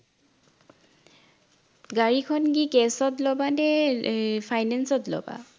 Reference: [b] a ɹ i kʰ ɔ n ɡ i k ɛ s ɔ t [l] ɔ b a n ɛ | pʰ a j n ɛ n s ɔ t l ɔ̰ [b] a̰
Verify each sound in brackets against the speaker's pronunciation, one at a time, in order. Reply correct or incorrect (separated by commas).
incorrect, correct, correct